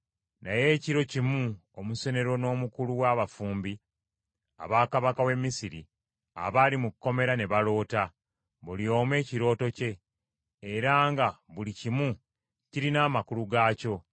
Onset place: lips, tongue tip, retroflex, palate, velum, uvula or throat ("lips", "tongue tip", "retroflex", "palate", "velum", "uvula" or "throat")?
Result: tongue tip